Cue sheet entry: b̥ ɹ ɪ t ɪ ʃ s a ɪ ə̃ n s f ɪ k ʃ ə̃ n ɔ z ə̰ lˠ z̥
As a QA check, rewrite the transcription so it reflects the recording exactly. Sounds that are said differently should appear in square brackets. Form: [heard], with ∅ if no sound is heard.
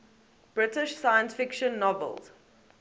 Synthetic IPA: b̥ ɹ ɪ t ɪ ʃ s a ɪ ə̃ n s f ɪ k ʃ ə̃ [nː] ɔ [v] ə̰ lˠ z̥